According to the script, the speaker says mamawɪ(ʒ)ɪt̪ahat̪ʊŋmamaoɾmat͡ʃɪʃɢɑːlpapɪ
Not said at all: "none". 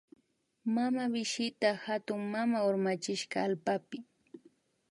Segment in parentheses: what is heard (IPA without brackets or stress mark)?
ʃ